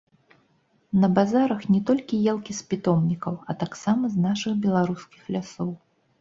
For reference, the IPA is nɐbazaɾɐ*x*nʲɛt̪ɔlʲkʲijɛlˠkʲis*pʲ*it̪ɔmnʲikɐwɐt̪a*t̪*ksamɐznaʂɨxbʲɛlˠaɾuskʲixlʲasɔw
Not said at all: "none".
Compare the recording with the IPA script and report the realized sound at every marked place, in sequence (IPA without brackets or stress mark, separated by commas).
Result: x, pʲ, none